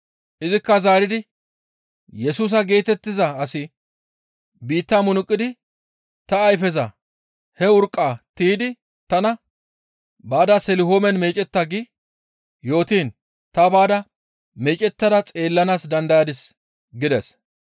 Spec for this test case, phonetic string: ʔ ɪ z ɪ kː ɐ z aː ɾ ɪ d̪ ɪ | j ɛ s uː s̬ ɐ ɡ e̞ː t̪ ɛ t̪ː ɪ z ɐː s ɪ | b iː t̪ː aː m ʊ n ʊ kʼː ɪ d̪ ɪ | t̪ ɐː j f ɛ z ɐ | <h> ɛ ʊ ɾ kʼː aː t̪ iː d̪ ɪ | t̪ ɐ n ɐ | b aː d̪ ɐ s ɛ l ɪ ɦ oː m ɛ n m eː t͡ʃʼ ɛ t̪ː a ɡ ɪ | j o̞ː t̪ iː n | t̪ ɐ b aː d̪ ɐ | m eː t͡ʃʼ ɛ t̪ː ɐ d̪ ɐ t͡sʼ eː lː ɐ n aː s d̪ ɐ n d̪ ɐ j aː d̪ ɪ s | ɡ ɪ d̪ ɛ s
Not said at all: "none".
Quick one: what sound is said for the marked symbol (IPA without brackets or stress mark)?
h